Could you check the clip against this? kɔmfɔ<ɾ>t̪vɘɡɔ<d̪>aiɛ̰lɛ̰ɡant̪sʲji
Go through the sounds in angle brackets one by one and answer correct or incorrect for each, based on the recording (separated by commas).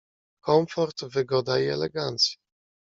correct, correct